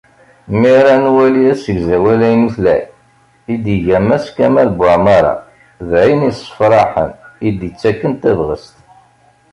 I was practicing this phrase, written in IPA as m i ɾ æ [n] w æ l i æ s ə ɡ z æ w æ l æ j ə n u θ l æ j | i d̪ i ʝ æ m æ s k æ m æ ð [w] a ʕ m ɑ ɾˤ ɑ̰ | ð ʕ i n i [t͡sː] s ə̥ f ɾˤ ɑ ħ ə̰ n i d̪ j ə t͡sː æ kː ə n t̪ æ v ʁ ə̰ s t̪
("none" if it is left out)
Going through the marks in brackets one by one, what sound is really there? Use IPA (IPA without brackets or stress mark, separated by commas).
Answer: n, b, none